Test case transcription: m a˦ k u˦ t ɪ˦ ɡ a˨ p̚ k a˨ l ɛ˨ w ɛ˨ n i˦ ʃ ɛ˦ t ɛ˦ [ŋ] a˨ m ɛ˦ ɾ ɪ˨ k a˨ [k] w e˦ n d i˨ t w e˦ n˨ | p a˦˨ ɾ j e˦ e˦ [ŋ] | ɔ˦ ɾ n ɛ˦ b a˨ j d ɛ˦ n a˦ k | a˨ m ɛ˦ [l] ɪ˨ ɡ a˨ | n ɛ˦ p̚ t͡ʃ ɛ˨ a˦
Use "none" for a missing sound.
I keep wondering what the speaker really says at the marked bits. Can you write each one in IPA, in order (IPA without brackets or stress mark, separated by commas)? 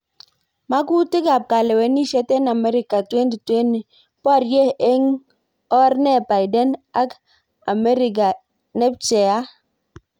n, t, ŋ, ɾ